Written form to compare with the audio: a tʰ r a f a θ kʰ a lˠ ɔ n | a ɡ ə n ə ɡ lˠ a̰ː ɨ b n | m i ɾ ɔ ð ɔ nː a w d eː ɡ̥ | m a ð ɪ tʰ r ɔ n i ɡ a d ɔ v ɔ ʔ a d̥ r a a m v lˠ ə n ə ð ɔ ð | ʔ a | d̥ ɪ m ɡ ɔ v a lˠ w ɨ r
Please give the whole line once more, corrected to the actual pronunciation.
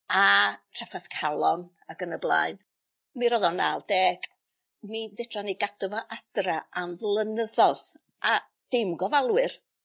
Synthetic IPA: a tʰ r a f a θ kʰ a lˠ ɔ n | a ɡ ə n ə b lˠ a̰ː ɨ n | m i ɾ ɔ ð ɔ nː a w d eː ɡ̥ | m i ð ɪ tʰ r ɔ n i ɡ a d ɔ v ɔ ʔ a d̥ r a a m v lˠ ə n ə ð ɔ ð | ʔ a | d̥ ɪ m ɡ ɔ v a lˠ w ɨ r